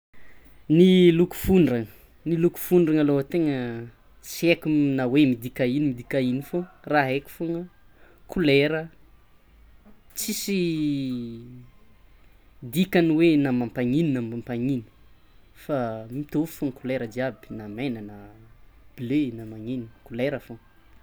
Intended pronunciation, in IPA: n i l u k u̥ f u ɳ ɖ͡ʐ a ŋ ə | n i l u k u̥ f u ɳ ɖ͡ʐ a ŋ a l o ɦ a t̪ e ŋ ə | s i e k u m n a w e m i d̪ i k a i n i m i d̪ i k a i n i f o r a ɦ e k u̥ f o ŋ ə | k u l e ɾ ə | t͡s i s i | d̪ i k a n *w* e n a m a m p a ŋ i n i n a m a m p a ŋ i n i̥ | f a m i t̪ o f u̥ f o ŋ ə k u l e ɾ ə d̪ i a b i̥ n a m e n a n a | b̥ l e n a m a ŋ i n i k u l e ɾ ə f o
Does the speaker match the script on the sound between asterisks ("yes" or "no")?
yes